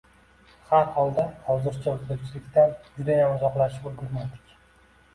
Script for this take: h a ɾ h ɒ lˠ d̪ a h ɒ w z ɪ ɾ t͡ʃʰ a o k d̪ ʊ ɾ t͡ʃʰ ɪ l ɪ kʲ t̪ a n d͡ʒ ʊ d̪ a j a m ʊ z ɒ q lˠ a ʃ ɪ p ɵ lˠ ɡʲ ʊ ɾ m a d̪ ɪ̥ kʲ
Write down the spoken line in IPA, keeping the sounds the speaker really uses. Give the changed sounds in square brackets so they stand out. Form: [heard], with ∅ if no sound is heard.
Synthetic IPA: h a ɾ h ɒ lˠ d̪ a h ɒ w z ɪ ɾ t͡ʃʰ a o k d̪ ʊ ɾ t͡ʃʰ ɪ l ɪ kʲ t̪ a n d͡ʒ ʊ d̪ a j a m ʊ z ɒ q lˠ a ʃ ɪ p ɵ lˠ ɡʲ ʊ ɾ m a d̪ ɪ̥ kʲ